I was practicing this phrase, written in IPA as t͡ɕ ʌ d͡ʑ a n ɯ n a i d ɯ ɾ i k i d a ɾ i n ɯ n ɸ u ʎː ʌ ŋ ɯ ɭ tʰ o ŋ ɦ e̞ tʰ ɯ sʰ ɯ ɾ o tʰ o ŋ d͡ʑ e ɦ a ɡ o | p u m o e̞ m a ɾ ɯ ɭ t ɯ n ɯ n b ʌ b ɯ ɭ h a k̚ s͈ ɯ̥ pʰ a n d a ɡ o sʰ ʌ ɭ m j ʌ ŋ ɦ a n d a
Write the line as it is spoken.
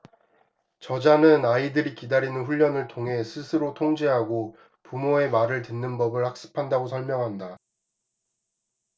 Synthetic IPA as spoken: t͡ɕ ʌ d͡ʑ a n ɯ n a i d ɯ ɾ i k i d a ɾ i n ɯ n ɸ u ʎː ʌ n ɯ ɭ tʰ o ŋ ɦ e̞ sʰ ɯ sʰ ɯ ɾ o tʰ o ŋ d͡ʑ e ɦ a ɡ o | p u m o e̞ m a ɾ ɯ ɭ t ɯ nː ɯ n b ʌ b ɯ ɭ h a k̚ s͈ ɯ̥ pʰ a n d a ɡ o sʰ ʌ ɭ m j ʌ ŋ ɦ a n d a